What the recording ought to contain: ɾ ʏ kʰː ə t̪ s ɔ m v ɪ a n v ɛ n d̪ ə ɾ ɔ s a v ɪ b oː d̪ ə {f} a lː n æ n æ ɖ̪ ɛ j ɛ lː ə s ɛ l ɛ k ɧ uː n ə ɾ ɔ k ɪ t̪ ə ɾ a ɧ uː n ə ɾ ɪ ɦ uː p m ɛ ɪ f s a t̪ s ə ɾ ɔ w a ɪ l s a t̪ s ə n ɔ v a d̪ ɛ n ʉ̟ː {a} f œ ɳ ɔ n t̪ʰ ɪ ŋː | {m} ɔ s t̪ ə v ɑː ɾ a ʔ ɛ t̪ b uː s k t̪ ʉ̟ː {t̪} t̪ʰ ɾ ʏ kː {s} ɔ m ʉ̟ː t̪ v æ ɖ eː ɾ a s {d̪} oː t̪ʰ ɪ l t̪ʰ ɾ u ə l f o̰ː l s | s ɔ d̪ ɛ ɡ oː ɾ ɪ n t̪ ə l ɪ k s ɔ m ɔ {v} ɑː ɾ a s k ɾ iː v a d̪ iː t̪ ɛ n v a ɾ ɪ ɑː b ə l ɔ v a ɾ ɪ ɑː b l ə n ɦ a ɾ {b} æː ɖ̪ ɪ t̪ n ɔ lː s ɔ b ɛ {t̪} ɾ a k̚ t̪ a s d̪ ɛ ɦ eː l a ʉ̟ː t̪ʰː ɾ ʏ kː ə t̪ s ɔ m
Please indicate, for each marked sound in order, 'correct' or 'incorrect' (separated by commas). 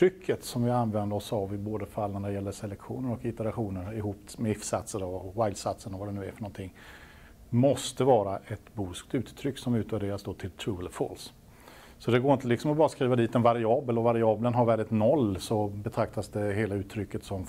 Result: correct, incorrect, correct, correct, correct, correct, incorrect, incorrect, incorrect